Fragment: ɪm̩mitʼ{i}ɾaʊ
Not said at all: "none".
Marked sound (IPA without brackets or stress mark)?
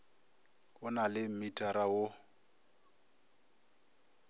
a